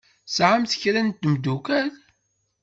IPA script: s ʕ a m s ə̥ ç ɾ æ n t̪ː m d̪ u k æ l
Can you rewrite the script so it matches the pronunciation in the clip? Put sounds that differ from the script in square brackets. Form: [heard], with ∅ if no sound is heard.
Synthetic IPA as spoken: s ʕ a m [θ] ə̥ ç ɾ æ n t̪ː m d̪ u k æ l